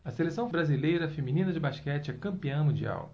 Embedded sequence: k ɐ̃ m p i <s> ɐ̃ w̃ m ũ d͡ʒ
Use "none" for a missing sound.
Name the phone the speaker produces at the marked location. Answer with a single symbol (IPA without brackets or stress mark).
none